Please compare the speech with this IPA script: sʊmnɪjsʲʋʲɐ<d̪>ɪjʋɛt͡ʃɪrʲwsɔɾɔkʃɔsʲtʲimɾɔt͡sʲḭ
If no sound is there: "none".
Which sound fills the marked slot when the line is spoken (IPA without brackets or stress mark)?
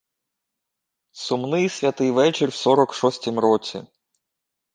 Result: t̪